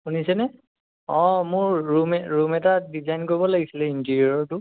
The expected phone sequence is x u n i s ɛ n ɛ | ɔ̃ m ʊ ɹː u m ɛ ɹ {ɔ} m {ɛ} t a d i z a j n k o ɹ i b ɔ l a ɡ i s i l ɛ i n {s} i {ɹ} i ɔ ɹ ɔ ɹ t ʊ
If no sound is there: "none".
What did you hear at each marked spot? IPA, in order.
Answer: u, ɛ, t, ɹ

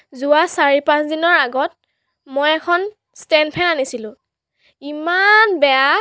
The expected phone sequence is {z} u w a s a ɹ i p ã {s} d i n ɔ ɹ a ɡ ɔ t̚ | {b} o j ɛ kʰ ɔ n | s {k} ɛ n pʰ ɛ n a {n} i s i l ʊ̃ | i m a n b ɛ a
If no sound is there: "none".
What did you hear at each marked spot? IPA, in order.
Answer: z, s, m, t, n

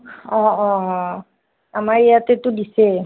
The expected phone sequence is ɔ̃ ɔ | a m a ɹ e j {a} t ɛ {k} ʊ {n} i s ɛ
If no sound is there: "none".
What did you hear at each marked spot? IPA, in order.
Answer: a, t, d

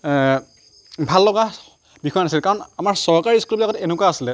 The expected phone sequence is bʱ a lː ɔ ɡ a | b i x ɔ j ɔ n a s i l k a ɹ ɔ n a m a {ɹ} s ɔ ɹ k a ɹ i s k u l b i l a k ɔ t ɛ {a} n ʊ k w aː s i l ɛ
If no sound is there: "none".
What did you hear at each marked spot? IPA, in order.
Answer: ɹ, e

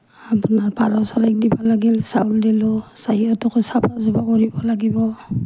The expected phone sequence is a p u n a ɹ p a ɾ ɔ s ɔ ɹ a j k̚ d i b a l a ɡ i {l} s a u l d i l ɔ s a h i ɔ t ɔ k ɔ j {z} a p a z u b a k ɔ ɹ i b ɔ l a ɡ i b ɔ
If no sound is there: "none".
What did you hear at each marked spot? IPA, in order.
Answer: l, s

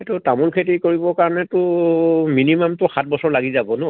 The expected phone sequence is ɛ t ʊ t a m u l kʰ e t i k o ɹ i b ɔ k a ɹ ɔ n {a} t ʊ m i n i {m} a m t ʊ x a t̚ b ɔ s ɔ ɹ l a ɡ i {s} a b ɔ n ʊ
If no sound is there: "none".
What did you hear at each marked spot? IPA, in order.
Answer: ɛ, m, z

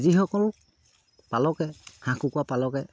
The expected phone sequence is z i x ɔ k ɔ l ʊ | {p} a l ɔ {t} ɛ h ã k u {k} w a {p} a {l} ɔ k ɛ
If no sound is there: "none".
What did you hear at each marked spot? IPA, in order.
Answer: p, k, k, p, l

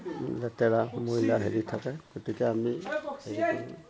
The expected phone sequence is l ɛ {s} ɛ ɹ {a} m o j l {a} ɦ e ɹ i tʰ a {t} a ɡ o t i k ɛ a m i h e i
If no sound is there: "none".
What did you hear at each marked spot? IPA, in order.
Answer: t, a, a, k

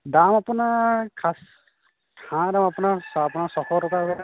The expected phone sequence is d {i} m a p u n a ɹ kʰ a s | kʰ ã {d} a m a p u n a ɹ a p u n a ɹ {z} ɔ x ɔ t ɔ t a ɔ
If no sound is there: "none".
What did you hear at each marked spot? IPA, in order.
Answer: a, d, s

